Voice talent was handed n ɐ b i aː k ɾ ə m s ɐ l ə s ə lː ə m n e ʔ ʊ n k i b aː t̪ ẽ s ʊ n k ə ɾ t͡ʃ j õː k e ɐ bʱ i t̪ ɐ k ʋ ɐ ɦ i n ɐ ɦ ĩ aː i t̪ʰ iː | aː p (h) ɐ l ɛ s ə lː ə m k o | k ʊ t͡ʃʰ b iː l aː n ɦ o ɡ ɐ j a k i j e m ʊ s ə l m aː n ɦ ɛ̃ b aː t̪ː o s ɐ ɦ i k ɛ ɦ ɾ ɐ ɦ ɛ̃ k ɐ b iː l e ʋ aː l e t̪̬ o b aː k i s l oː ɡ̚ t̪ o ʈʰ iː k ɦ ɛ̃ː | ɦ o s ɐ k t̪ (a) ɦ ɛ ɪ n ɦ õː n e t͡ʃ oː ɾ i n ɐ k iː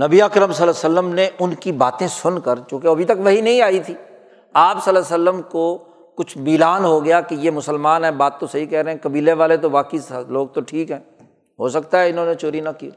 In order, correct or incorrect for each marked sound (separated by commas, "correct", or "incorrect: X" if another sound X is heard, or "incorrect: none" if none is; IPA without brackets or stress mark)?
incorrect: s, correct